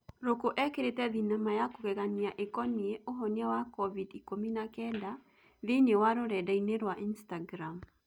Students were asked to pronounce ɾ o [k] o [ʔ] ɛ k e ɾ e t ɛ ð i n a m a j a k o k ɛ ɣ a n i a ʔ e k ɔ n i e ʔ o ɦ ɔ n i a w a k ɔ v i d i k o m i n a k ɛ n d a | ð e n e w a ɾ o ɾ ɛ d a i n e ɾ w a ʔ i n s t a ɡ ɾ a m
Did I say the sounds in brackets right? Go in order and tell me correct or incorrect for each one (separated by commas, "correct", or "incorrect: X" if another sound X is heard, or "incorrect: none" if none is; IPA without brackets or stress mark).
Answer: correct, correct